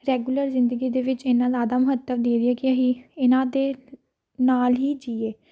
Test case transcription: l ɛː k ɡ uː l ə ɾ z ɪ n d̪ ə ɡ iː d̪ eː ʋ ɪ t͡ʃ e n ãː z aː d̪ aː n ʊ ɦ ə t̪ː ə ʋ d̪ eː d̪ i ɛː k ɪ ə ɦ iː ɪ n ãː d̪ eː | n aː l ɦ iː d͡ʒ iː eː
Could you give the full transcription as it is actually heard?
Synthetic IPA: ɾ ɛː ɡ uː l ə ɾ z ɪ n d̪ ə ɡ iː d̪ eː ʋ ɪ t͡ʃ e n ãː z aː d̪ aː m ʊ ɦ ə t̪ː ə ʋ d̪ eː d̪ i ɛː k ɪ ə ɦ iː ɪ n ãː d̪ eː | n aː l ɦ iː d͡ʒ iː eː